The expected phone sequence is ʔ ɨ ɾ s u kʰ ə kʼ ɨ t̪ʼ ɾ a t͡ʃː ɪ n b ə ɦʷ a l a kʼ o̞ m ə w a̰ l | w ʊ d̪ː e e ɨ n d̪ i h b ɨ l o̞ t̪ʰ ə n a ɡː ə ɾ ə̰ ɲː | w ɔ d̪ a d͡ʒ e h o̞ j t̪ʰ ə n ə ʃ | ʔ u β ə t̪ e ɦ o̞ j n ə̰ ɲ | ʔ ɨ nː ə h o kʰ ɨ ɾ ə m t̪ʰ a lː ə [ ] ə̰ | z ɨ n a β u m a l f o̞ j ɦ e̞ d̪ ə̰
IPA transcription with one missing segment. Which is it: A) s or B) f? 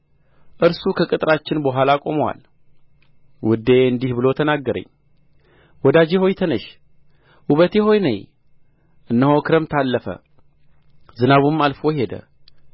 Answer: B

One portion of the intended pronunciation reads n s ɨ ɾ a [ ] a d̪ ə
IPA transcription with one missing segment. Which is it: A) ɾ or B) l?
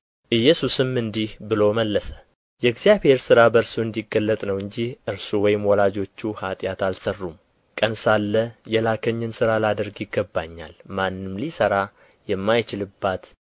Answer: B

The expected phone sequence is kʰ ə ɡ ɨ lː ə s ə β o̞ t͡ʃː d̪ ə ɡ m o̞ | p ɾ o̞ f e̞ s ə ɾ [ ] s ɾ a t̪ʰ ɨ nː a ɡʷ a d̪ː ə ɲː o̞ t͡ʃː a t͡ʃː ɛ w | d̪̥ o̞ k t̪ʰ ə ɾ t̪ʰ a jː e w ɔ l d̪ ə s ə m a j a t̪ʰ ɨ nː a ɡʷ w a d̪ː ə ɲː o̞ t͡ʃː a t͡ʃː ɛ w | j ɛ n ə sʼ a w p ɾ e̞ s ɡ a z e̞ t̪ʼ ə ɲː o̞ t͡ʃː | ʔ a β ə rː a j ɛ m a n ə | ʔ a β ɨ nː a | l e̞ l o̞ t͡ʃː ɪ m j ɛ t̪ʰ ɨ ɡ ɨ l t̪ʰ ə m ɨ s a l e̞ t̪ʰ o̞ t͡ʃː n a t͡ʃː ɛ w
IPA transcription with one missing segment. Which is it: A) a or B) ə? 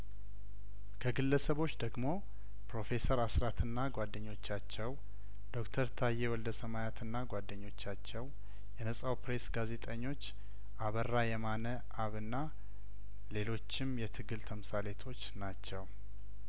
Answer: A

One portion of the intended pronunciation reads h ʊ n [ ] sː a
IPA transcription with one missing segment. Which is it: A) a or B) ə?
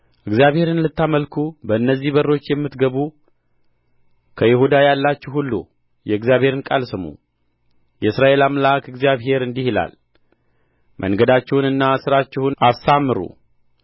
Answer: A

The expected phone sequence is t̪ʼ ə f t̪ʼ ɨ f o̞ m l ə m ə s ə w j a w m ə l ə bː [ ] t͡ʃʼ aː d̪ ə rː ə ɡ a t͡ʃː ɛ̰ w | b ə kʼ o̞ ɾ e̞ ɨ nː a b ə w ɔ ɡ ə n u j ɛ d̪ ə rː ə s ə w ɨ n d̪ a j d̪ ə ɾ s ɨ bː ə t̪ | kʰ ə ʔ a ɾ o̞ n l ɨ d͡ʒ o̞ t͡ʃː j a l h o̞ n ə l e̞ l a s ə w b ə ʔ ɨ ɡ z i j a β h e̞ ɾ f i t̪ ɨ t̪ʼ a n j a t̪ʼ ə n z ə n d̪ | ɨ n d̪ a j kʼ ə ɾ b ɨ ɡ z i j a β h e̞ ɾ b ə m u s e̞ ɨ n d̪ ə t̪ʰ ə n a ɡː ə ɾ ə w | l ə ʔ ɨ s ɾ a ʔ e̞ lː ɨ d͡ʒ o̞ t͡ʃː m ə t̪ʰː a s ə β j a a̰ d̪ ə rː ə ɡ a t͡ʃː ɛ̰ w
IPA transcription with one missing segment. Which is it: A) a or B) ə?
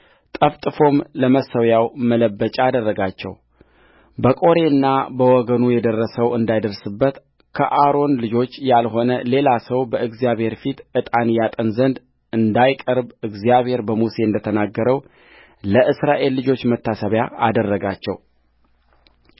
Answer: B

